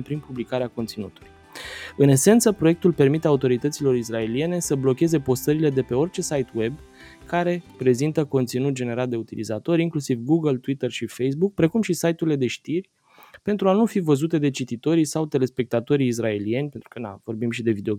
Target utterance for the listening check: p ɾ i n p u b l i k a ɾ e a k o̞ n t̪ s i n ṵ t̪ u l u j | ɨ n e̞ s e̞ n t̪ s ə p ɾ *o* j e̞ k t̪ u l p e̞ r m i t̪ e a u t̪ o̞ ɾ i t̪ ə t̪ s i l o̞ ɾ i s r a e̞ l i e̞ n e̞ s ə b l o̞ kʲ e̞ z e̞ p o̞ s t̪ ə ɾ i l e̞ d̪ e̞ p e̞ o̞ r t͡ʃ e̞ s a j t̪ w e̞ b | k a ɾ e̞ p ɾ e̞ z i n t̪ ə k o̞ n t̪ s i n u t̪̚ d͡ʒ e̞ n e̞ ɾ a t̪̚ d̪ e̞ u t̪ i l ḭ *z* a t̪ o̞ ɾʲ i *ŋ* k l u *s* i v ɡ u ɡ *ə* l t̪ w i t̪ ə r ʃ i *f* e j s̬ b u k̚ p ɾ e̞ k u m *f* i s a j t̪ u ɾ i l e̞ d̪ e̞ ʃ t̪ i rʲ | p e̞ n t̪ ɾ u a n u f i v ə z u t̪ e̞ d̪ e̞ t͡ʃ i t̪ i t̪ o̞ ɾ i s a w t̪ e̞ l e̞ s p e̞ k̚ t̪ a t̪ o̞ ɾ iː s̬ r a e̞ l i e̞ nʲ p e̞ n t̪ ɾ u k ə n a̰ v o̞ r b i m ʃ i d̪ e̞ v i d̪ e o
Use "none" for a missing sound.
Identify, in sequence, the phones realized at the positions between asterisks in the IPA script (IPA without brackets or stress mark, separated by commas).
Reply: o, z, ŋ, s, ə, f, ʃ